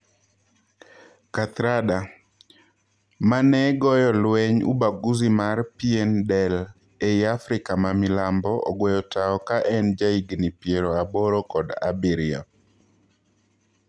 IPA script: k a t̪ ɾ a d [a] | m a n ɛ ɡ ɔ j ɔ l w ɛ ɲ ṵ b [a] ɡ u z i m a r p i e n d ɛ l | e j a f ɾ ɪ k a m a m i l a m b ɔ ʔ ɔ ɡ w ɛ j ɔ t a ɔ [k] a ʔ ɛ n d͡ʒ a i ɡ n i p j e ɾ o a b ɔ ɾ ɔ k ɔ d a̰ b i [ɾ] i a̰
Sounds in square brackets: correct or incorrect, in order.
correct, correct, correct, correct

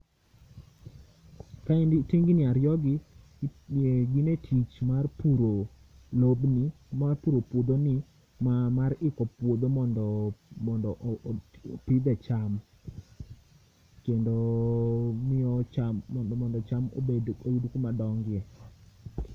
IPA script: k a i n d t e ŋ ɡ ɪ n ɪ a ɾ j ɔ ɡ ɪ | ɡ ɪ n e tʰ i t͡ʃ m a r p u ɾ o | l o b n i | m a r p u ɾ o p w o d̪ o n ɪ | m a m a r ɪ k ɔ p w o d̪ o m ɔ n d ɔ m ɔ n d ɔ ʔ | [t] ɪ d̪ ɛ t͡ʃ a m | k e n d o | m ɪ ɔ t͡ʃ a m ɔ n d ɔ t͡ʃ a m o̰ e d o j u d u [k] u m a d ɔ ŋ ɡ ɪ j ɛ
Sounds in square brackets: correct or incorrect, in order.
incorrect: p, correct

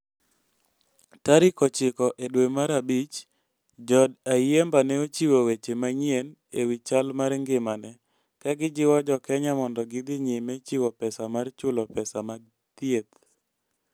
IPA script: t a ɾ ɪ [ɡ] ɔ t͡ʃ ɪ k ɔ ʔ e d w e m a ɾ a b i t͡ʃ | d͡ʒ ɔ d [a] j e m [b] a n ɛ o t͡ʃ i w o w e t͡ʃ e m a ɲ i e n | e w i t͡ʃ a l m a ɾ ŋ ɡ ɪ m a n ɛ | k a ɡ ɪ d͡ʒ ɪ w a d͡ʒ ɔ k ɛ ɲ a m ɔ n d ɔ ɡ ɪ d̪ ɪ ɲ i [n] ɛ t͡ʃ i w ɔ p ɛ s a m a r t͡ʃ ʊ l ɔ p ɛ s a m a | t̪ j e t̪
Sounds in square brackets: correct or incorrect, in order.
incorrect: k, correct, correct, incorrect: m

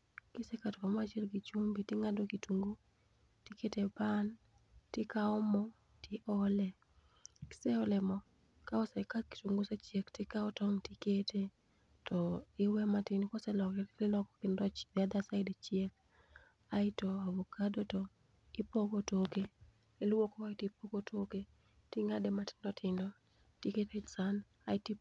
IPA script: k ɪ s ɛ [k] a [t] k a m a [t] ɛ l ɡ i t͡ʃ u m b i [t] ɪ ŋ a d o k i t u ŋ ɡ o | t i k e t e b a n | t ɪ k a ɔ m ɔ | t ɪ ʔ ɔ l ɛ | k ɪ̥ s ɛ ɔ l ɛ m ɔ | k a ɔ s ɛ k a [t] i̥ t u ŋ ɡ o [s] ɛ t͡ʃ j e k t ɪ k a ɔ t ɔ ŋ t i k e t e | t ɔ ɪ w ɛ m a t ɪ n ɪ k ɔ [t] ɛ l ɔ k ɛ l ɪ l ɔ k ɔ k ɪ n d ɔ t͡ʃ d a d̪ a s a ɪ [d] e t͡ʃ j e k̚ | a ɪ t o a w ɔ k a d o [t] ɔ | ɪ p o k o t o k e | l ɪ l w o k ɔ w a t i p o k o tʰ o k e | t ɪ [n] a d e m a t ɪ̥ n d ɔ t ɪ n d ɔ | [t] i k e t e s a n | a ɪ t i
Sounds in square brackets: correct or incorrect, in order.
correct, correct, incorrect: t͡ʃ, correct, incorrect: k, correct, incorrect: s, correct, correct, incorrect: ŋ, correct

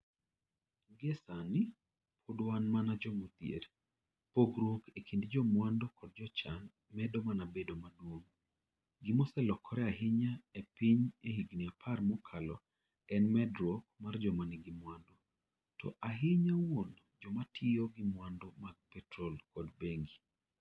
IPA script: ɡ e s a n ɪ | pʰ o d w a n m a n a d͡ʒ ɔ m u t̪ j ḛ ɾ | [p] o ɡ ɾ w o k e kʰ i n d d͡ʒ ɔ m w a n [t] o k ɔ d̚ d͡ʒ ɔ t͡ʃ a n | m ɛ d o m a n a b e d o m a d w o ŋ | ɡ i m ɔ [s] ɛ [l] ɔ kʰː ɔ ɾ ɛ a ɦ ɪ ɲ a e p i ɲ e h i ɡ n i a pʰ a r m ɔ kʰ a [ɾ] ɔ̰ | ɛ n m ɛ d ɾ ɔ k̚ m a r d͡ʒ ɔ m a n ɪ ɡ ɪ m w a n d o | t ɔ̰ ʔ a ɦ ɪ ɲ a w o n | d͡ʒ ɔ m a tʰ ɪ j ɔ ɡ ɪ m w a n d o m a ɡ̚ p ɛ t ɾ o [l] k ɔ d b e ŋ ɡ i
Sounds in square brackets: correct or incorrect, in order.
correct, incorrect: d, correct, correct, incorrect: l, correct

